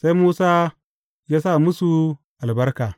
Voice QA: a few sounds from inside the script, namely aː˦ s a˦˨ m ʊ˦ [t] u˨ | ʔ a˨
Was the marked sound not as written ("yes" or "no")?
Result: yes